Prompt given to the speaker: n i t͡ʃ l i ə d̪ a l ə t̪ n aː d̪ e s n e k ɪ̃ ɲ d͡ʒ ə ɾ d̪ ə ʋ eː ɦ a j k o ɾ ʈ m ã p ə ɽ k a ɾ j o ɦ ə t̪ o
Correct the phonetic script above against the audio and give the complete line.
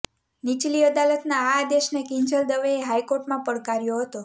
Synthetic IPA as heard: n i t͡ʃ l i ə d̪ a l ə t̪ n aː d̪ e ʃ n e k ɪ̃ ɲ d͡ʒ ə l d̪ ə ʋ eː ɦ a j k o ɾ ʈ m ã p ə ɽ k a ɾ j o ɦ ə t̪ o

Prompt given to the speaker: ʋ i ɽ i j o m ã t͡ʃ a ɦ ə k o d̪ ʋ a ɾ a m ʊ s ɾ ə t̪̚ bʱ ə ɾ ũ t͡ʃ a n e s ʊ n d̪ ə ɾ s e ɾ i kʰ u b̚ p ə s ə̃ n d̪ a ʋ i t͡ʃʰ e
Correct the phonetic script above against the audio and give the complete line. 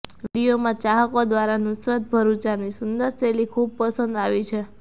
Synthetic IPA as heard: ʋ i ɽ i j o m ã t͡ʃ a ɦ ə k o d̪ ʋ a ɾ a n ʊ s ɾ ə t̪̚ bʱ ə ɾ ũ t͡ʃ a n i s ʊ n d̪ ə ɾ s e l i kʰ u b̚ p ə s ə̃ n d̪ a ʋ i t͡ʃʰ e

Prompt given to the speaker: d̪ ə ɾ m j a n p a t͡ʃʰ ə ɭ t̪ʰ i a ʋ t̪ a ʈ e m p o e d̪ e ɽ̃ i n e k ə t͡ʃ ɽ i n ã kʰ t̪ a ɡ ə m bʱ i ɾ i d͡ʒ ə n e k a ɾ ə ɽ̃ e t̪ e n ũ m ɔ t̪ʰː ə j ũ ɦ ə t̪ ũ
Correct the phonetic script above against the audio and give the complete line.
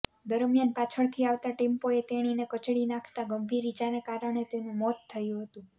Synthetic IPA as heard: d̪ ə ɾ m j a n p a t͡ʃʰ ə ɭ t̪ʰ i a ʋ t̪ a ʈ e m p o e t̪ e ɽ̃ i n e k ə t͡ʃ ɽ i n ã kʰ t̪ a ɡ ə m bʱ i ɾ i d͡ʒ a n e k a ɾ ə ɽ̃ e t̪ e n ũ m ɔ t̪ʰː ə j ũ ɦ ə t̪ ũ

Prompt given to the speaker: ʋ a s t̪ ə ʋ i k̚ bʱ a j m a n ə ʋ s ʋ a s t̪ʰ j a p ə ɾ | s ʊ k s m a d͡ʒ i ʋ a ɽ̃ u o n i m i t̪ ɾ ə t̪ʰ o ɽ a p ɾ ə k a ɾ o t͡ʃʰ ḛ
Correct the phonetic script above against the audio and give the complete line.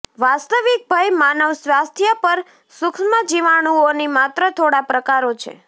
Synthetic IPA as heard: ʋ a s t̪ ə ʋ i k̚ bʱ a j m a n ə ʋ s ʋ a s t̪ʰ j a p ə ɾ | s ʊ k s m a d͡ʒ i ʋ a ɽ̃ u o n i m a t̪ ɾ ə t̪ʰ o ɽ a p ɾ ə k a ɾ o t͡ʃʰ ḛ

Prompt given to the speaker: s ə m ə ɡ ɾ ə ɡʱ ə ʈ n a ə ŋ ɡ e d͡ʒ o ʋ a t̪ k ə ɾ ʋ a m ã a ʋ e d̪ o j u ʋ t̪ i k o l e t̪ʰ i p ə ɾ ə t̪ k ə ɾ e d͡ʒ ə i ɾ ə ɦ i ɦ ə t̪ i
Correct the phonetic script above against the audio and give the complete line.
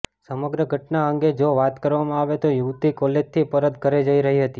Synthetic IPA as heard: s ə m ə ɡ ɾ ə ɡʱ ə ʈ n a ə ŋ ɡ e d͡ʒ o ʋ a t̪ k ə ɾ ʋ a m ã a ʋ e t̪ o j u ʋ t̪ i k o l e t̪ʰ i p ə ɾ ə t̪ k ə ɾ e d͡ʒ ə i ɾ ə ɦ i ɦ ə t̪ i

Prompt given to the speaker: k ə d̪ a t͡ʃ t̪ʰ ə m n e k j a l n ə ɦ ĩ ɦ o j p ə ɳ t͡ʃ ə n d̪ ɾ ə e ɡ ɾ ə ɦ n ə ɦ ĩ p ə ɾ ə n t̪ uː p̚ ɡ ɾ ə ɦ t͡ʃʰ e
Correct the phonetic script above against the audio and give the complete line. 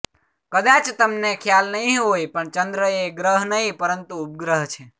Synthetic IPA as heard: k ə d̪ a t͡ʃ t̪ ə m n e kʰ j a l n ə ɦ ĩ ɦ o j p ə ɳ t͡ʃ ə n d̪ ɾ ə e ɡ ɾ ə ɦ n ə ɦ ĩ p ə ɾ ə n t̪ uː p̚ ɡ ɾ ə ɦ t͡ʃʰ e

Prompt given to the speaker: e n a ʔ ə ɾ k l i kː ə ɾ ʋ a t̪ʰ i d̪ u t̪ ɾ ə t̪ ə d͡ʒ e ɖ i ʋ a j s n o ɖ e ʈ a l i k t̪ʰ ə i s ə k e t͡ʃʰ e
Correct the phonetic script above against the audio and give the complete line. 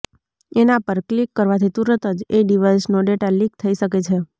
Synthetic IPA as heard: e n a p ə ɾ k l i kː ə ɾ ʋ a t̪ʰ i t̪ u ɾ ə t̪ ə d͡ʒ e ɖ i ʋ a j s n o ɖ e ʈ a l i k t̪ʰ ə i ʃ ə k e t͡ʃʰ e

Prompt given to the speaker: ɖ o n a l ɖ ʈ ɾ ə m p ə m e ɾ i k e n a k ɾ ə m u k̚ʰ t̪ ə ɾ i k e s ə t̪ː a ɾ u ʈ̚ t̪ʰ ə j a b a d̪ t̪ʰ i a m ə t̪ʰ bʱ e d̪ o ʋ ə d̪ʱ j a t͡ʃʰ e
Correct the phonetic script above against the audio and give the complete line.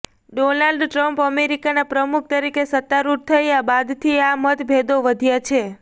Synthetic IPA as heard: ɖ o n a l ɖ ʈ ɾ ə m p ə m e ɾ i k a n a p ɾ ə m u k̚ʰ t̪ ə ɾ i k e s ə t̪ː a ɾ u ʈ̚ t̪ʰ ə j a b a d̪ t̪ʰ i a m ə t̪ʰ bʱ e d̪ o ʋ ə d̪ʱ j a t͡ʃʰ e

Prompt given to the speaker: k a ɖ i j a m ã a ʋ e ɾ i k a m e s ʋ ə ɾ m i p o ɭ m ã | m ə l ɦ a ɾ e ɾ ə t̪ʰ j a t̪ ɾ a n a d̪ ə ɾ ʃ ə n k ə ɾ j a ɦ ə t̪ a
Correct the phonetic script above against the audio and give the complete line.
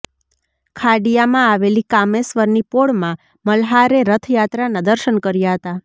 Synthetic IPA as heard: kʰ a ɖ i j a m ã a ʋ e l i k a m e s ʋ ə ɾ n i p o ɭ m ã | m ə l ɦ a ɾ e ɾ ə t̪ʰ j a t̪ ɾ a n a d̪ ə ɾ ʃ ə n k ə ɾ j a ɦ ə t̪ a

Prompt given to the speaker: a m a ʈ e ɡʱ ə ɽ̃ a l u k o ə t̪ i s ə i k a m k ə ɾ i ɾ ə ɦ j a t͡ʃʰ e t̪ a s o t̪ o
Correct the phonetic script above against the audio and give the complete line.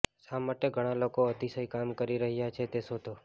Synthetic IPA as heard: a m a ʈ e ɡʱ ə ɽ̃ a l o k o ə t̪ i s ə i k a m k ə ɾ i ɾ ə ɦ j a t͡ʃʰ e t̪ e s o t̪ o

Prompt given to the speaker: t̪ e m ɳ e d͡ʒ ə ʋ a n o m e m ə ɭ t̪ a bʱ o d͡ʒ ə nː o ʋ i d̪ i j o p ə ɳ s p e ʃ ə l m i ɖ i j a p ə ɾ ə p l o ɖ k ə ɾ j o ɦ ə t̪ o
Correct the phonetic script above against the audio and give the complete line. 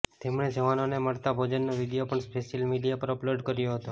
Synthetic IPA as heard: t̪ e m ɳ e d͡ʒ ə ʋ a n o n e m ə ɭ t̪ a bʱ o d͡ʒ ə nː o ʋ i d̪ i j o p ə ɳ s p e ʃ ə l m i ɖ i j a p ə ɾ ə p l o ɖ k ə ɾ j o ɦ ə t̪ o

